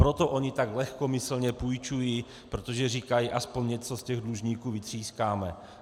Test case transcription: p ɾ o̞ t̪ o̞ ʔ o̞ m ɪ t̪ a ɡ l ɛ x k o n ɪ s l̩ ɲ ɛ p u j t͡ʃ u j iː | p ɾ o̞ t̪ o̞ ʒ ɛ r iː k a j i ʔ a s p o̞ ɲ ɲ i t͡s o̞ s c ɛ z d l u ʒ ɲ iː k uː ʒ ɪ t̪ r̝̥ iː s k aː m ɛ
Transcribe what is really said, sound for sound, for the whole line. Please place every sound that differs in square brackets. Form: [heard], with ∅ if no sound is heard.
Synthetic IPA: p ɾ o̞ t̪ o̞ ʔ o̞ [ɲ] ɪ t̪ a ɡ l ɛ x k o [m] ɪ s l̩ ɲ ɛ p u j t͡ʃ u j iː | p ɾ o̞ t̪ o̞ ʒ ɛ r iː k a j i ʔ a s p o̞ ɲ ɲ [ɛ] t͡s o̞ s c ɛ [ɣ] d l u ʒ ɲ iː k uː [v] ɪ t̪ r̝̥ iː s k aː m ɛ